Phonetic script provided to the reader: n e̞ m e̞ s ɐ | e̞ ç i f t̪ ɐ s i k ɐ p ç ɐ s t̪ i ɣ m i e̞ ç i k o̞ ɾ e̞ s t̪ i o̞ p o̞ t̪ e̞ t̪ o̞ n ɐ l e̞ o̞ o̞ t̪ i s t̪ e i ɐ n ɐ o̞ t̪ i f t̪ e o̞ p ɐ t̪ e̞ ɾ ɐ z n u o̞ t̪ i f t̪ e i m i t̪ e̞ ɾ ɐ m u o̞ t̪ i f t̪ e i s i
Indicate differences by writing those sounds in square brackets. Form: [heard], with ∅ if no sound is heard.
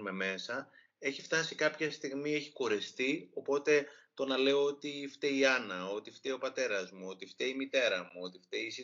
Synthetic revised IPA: [m] e̞ m e̞ s ɐ | e̞ ç i f t̪ ɐ s i k ɐ p ç ɐ s t̪ i ɣ m i e̞ ç i k o̞ ɾ e̞ s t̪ i o̞ p o̞ t̪ e̞ t̪ o̞ n ɐ l e̞ o̞ o̞ t̪ i [f] t̪ e i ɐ n ɐ o̞ t̪ i f t̪ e o̞ p ɐ t̪ e̞ ɾ ɐ z [m] u o̞ t̪ i f t̪ e i m i t̪ e̞ ɾ ɐ m u o̞ t̪ i f t̪ e i s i